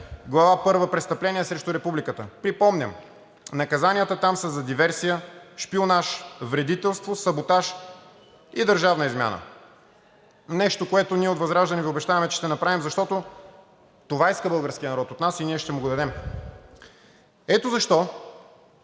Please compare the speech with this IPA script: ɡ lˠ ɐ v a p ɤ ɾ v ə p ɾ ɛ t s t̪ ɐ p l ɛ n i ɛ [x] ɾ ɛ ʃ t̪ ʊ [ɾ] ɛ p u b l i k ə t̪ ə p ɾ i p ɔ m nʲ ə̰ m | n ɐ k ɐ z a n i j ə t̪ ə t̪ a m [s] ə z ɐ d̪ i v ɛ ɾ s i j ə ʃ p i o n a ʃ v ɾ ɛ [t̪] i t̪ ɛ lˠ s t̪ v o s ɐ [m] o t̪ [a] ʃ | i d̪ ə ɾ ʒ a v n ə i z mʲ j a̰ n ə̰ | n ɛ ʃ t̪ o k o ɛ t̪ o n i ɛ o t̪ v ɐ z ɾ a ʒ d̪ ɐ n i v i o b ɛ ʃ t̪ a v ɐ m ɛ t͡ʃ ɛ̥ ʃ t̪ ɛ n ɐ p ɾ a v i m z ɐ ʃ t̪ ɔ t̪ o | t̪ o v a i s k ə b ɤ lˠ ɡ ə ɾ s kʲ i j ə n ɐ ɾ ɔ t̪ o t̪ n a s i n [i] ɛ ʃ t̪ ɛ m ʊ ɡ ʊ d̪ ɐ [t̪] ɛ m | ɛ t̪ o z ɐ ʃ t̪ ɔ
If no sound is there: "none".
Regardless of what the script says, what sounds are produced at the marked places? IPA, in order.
s, ɾ, s, d̪, b, a, i, d̪

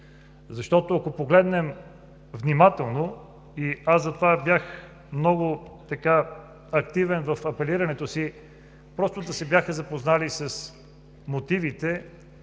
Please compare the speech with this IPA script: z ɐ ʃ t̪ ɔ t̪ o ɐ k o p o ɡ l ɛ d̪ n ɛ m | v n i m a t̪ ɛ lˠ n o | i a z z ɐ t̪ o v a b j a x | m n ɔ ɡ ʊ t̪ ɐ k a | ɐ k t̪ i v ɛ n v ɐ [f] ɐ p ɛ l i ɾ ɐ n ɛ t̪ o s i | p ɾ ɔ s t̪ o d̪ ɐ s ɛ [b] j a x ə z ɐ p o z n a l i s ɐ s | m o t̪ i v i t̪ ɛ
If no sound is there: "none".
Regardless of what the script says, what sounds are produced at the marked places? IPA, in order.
f, b

